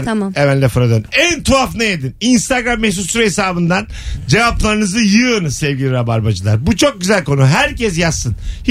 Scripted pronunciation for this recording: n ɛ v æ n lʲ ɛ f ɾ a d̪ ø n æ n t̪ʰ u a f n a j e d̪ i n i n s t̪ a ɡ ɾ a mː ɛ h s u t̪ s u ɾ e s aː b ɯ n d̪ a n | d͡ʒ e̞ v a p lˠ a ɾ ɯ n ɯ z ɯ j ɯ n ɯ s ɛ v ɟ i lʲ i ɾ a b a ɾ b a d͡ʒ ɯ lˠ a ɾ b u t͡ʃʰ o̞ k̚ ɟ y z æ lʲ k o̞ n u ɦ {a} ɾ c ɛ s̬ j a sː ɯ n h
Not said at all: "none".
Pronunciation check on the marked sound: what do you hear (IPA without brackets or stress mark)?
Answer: æ